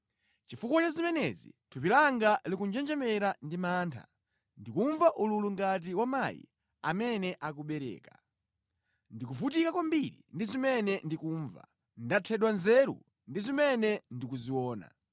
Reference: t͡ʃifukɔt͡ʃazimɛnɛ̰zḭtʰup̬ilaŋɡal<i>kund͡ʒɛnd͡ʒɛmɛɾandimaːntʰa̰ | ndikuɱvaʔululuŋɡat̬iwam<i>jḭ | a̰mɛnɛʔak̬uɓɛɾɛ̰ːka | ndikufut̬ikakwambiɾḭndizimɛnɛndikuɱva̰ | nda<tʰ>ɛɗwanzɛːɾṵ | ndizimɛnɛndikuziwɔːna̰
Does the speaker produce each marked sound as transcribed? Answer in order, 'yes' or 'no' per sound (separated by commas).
yes, no, yes